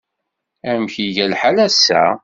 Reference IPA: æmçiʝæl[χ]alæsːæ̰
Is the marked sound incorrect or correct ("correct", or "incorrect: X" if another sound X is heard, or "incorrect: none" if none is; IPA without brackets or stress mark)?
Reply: incorrect: ħ